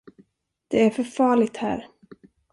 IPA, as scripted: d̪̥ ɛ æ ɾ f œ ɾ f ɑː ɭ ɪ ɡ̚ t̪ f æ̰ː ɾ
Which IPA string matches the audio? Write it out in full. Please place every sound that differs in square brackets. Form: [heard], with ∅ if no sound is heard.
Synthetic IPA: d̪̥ ɛ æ ɾ f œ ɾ f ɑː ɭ ɪ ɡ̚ t̪ [h] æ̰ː ɾ